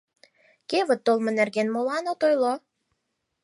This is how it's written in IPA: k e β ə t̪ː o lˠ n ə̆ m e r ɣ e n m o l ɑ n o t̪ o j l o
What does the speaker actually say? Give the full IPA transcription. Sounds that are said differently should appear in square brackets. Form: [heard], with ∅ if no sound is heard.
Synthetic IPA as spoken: k e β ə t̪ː o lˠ [m] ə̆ [n] e r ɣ e n m o l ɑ n o t̪ o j l o

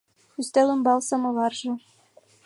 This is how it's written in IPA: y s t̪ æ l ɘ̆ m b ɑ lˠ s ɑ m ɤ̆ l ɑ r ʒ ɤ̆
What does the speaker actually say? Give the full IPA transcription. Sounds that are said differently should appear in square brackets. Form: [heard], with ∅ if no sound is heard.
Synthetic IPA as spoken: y s t̪ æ l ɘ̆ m b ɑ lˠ s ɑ m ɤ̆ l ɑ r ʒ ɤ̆

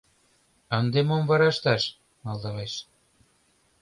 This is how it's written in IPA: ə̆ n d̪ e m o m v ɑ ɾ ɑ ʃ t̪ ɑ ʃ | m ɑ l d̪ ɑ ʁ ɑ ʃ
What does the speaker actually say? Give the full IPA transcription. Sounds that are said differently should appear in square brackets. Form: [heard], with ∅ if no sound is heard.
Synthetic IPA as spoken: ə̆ n d̪ e m o m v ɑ ɾ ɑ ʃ t̪ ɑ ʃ | m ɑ l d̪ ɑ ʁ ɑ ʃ

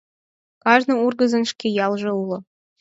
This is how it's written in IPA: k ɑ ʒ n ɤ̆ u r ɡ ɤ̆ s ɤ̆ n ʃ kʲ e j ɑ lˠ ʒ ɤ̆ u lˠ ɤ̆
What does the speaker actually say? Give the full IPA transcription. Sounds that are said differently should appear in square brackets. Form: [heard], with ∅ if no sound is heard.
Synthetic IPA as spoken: k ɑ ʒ n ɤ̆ u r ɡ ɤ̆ [z] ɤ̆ n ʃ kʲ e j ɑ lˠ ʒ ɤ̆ u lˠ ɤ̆

